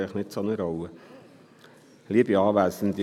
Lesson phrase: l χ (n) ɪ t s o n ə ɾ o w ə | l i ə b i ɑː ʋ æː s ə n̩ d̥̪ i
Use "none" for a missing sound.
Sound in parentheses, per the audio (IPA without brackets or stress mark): n